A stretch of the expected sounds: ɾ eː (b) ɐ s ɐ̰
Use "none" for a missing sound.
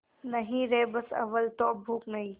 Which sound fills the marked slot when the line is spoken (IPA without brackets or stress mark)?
b